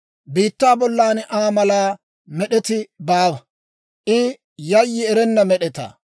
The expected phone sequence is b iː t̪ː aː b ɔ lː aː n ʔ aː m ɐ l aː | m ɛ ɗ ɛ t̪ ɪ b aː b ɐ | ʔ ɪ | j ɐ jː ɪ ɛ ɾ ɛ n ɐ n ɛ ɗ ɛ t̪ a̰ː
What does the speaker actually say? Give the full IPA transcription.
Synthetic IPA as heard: b iː t̪ː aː b ɔ lː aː n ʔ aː m ɐ l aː | m ɛ ɗ ɛ t̪ ɪ b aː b ɐ | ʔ ɪ | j ɐ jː ɪ ɛ ɾ ɛ nː ɐ m ɛ ɗ ɛ t̪ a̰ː